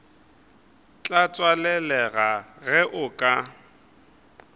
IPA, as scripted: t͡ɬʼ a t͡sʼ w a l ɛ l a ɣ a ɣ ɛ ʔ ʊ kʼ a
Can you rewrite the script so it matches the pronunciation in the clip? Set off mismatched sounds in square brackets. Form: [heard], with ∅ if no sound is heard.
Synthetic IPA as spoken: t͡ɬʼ a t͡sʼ w a l ɛ l [ɛ] ɣ a ɣ ɛ ʔ ʊ kʼ a